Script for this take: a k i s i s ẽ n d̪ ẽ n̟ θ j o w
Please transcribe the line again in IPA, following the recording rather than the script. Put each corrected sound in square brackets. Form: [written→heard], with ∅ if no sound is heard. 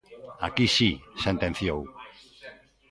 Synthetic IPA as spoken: a k i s i s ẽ n [d̪→t̪] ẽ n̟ θ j o w